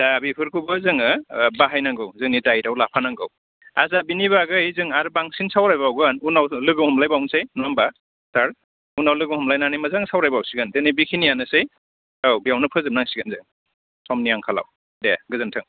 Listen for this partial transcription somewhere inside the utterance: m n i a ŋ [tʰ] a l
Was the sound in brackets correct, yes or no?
no